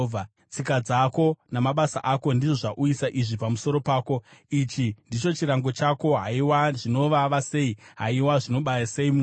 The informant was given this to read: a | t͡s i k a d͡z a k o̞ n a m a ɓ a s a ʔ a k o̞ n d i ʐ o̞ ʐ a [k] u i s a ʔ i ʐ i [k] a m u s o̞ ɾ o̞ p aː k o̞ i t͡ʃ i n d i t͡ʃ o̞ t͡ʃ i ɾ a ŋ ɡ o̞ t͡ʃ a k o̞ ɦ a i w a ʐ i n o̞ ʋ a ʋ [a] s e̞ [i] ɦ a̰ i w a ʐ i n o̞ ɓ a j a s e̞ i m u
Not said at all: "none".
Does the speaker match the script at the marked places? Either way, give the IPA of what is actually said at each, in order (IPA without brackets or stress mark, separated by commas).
ʔ, p, a, i